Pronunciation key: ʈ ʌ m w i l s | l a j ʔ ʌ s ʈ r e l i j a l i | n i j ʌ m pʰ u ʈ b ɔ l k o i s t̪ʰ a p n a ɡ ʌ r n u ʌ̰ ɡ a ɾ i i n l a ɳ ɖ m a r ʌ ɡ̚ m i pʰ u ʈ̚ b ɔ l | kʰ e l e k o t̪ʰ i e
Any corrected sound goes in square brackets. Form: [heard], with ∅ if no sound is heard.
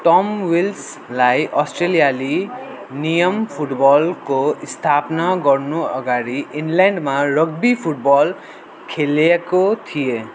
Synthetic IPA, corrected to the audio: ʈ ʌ m w i l s | l a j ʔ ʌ s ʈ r e l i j a l i | n i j ʌ m pʰ u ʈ b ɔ l k o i s t̪ʰ a p n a ɡ ʌ r n u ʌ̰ ɡ a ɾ i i n l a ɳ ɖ m a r ʌ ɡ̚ [b] i pʰ u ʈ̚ b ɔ l | kʰ e l e k o t̪ʰ i e